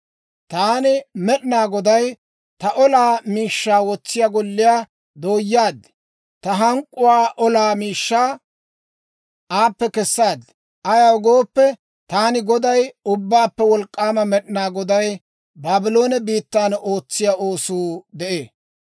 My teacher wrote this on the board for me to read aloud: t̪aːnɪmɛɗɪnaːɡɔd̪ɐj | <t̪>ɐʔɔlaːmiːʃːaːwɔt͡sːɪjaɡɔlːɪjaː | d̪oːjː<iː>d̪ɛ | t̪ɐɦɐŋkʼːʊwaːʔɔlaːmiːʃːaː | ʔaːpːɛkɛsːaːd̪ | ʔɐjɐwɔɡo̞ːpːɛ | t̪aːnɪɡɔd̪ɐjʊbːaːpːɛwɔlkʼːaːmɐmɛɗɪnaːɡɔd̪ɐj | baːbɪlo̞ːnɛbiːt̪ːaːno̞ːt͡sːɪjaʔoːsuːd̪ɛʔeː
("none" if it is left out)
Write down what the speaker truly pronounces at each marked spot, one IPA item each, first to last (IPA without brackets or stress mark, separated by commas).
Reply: t̪, aː